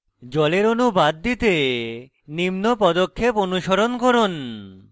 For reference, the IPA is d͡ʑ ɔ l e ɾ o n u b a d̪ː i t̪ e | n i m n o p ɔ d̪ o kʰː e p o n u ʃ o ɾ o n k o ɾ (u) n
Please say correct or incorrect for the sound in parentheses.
incorrect: o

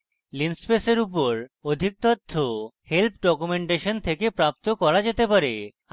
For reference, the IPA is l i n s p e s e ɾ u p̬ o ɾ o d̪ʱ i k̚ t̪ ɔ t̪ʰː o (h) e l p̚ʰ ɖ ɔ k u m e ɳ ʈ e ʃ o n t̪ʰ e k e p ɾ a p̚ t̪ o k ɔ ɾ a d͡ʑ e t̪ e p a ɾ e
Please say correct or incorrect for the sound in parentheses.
correct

